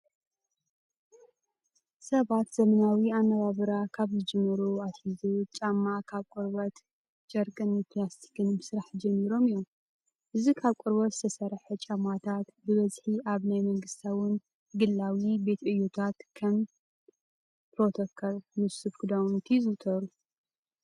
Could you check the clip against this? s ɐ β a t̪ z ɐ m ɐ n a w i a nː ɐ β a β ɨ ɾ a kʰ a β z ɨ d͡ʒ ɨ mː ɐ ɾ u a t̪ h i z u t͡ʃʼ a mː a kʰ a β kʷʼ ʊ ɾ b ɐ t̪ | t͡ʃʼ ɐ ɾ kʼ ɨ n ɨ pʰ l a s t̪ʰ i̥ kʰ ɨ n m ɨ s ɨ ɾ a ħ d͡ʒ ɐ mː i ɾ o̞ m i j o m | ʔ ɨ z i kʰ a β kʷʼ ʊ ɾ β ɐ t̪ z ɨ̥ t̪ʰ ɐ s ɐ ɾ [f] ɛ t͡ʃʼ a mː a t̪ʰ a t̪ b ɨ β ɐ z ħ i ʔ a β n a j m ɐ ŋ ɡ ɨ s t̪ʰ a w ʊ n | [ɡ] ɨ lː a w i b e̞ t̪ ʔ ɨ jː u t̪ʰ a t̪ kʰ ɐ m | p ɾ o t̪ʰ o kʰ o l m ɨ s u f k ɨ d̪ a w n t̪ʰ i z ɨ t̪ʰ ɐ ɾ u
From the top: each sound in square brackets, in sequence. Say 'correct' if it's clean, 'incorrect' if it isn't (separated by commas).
incorrect, correct